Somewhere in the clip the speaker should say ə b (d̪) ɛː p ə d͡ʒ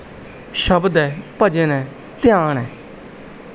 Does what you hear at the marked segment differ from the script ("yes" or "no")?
no